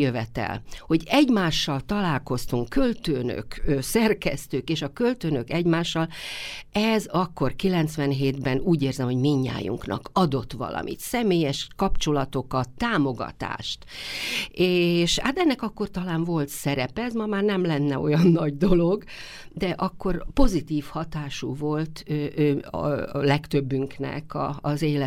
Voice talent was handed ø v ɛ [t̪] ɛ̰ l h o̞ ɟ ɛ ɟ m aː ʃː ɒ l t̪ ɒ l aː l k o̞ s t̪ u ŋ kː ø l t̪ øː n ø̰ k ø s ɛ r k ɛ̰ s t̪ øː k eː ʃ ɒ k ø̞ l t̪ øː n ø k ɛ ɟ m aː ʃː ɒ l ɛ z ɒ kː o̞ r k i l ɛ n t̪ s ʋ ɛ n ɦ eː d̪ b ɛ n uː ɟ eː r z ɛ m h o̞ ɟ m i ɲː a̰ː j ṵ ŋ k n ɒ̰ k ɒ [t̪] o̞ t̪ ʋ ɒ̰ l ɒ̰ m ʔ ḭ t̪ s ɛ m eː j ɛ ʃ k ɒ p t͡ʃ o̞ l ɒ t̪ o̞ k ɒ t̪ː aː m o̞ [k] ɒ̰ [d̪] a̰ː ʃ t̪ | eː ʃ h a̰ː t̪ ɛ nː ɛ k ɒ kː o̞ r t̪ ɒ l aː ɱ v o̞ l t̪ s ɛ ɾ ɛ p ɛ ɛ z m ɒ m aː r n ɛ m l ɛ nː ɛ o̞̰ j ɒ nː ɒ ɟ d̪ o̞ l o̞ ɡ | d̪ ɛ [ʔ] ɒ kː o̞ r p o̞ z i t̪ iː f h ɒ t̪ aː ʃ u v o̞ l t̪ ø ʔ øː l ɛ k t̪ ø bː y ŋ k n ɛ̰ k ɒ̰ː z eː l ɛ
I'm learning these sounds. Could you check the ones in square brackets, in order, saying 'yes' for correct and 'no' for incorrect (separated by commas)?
yes, no, no, no, yes